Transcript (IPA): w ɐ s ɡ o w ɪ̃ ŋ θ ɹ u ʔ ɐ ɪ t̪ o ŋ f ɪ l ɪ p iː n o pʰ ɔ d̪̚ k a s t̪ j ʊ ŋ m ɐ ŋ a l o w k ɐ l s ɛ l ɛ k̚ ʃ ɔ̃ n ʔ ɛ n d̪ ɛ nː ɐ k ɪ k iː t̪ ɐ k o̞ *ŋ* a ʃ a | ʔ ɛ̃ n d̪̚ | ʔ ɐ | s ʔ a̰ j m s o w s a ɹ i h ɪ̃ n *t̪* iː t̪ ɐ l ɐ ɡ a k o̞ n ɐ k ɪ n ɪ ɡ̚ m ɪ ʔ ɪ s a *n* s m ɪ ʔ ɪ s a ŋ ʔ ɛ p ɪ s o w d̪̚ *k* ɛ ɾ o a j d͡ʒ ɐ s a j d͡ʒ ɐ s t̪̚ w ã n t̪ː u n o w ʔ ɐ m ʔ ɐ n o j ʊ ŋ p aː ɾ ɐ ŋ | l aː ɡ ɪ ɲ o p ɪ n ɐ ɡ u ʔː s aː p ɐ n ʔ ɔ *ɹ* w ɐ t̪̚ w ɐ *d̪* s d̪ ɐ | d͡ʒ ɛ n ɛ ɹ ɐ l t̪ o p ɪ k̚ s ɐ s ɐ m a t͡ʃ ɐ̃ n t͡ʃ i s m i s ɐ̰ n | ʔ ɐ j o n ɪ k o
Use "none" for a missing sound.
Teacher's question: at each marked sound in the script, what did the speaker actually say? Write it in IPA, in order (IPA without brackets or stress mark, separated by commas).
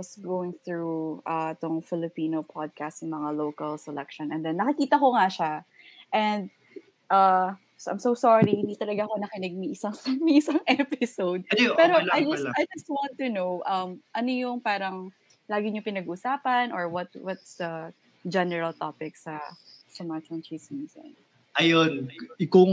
ŋ, d̪, ŋ, p, ɹ, t̪